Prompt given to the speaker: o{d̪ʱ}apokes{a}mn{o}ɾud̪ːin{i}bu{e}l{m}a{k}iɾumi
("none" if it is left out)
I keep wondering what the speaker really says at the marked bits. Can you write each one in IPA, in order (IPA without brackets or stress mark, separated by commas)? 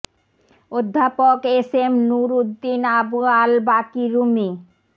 d̪ʱː, e, u, a, a, b, k